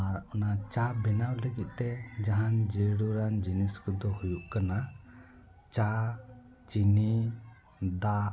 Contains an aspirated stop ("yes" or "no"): no